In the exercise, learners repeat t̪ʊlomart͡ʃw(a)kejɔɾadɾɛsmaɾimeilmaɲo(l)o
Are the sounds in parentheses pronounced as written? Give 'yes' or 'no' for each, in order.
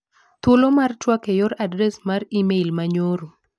yes, no

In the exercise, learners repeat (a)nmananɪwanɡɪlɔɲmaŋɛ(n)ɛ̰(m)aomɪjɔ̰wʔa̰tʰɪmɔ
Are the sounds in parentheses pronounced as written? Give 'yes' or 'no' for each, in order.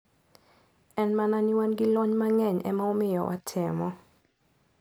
no, no, yes

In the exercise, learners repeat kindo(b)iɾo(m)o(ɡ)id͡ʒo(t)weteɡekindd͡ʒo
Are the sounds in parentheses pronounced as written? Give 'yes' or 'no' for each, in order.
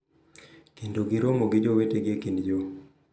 no, yes, yes, no

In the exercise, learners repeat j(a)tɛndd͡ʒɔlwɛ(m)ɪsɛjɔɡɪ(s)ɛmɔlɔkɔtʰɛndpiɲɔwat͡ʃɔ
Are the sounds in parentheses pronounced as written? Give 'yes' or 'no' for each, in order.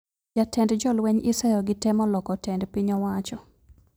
yes, no, no

